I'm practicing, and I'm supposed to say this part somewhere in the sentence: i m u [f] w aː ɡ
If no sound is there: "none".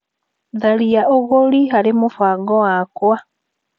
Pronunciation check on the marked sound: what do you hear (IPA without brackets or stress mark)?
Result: f